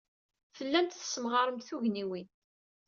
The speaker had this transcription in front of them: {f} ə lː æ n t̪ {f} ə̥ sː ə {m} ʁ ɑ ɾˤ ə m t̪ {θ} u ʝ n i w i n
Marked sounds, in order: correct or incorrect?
correct, incorrect: θ, correct, correct

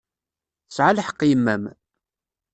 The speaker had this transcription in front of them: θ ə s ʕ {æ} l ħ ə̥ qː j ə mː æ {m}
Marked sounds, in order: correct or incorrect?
incorrect: a, correct

